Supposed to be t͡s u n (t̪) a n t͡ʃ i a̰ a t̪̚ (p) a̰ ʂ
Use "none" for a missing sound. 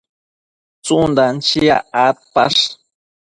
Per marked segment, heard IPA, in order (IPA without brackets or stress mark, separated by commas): d̪, p